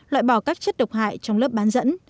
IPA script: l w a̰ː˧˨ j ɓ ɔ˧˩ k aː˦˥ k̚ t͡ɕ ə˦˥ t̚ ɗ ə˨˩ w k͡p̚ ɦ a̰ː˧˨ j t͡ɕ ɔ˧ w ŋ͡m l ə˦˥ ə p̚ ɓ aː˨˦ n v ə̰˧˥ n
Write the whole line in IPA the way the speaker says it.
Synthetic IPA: l w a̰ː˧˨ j ɓ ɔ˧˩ k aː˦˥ k̚ t͡ɕ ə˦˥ t̚ ɗ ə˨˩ w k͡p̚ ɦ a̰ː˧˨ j t͡ɕ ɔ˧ w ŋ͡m l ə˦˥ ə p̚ ɓ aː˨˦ n z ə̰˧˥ n